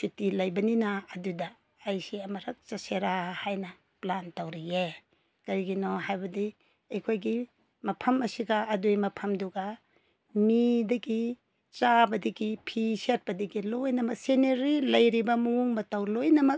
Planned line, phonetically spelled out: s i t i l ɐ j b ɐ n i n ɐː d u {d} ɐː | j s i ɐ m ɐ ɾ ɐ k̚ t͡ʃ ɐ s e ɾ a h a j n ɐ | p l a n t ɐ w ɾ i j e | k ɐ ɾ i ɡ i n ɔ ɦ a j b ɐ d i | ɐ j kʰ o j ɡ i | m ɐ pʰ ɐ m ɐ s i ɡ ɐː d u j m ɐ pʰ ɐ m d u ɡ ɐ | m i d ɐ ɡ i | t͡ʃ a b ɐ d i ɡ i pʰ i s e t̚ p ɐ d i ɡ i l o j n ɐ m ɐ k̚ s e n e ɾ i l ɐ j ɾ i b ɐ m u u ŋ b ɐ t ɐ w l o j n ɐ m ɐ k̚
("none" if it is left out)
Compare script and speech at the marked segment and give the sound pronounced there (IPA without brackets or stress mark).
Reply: d